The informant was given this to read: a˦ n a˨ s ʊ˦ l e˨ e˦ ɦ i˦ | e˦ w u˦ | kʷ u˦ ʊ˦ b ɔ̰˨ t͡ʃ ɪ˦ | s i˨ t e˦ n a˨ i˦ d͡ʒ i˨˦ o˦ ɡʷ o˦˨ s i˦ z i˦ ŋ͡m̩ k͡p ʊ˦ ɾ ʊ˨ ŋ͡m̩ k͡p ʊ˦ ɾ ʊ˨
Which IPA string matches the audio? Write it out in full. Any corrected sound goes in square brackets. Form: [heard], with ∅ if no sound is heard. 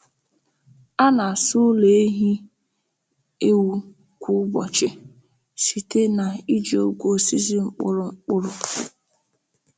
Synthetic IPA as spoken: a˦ n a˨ s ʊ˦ l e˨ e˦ ɦ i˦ | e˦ w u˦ | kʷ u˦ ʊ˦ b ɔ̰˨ t͡ʃ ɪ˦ | s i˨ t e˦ n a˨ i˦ d͡ʒ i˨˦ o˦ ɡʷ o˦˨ s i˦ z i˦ ŋ͡m̩ k͡p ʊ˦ ɾ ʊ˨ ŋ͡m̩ k͡p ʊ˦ ɾ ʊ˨